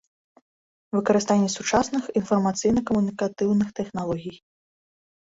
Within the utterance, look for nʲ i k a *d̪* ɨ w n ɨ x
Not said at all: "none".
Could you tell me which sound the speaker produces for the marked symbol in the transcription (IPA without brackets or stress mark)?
t̪